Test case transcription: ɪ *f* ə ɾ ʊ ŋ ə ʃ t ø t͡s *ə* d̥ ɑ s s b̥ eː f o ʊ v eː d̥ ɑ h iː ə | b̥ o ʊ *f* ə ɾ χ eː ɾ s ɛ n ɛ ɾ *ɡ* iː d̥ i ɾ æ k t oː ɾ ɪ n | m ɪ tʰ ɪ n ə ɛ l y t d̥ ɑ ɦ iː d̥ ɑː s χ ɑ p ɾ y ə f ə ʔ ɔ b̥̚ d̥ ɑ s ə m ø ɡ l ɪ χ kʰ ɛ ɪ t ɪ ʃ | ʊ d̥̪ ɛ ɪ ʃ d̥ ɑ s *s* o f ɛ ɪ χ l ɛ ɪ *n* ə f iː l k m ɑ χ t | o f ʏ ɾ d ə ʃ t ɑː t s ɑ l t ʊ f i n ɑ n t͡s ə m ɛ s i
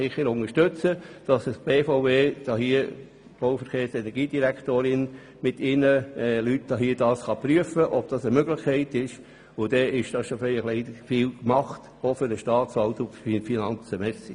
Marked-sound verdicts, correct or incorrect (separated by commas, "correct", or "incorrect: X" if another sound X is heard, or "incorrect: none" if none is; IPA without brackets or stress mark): incorrect: χ, correct, correct, correct, incorrect: ʃ, incorrect: d